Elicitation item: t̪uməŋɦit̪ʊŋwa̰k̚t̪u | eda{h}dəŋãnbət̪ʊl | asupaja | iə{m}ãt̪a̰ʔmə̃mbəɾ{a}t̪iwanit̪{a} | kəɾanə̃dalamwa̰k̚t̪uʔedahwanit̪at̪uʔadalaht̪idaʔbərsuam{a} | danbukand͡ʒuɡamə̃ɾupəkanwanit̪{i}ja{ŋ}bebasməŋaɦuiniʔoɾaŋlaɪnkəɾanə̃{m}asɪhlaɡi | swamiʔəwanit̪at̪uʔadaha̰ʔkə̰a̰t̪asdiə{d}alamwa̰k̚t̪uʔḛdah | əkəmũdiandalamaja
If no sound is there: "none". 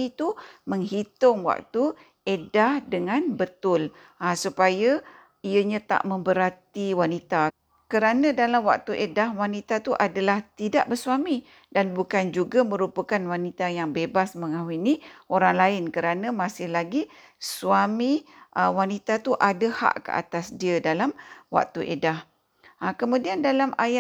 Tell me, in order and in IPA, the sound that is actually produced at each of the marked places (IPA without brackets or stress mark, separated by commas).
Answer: h, ɲ, a, a, i, a, ŋ, m, d